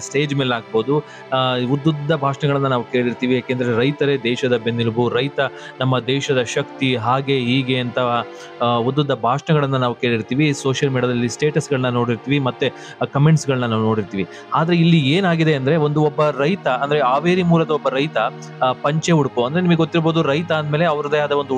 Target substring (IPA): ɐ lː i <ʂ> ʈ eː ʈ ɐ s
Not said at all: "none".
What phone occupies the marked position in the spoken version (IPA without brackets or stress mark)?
s